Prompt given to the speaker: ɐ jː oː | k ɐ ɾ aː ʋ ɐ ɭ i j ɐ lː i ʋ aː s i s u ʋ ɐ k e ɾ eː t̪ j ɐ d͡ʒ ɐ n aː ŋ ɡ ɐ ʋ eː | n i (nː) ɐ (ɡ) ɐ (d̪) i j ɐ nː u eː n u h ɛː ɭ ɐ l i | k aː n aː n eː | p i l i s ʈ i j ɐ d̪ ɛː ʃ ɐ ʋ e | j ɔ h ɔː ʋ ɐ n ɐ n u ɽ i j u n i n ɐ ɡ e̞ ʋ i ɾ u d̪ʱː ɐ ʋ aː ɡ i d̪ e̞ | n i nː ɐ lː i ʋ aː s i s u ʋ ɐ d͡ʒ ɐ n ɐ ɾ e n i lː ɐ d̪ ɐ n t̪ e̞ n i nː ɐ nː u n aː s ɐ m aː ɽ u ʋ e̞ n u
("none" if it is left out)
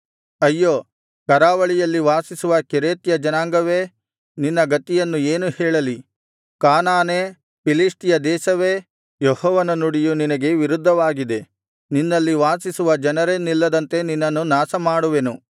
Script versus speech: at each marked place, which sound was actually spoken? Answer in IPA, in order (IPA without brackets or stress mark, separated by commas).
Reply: nː, ɡ, t̪